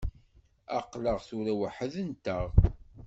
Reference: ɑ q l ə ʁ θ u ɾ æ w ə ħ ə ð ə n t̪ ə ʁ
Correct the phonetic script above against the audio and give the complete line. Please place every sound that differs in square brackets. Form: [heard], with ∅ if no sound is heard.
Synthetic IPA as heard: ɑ q l ə ʁ θ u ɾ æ w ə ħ ə ð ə n t̪ ə ʁ